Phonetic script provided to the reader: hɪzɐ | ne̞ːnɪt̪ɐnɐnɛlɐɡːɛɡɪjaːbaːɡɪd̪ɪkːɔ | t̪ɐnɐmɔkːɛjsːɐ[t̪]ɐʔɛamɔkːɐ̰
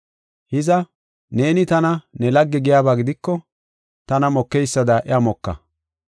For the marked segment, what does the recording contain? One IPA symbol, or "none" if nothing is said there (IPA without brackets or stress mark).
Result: d̪